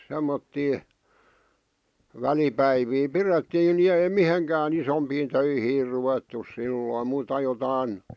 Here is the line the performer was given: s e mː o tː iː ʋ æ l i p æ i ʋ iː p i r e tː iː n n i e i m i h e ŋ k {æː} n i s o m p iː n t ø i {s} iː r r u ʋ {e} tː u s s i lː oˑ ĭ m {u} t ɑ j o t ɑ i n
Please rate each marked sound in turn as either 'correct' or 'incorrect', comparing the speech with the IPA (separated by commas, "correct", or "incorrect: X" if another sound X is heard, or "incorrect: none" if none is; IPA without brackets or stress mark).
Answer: correct, incorrect: h, correct, incorrect: uː